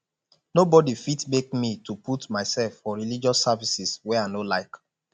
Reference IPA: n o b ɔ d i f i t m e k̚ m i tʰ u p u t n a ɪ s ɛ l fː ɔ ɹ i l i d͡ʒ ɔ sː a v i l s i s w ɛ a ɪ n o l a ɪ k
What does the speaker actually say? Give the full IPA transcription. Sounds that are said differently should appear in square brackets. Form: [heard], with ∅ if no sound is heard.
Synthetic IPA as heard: n o b ɔ d i f i t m e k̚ m i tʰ u p u t [m] a ɪ s ɛ l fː ɔ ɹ i l i d͡ʒ ɔ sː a v i [∅] s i s w ɛ a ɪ n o l a ɪ k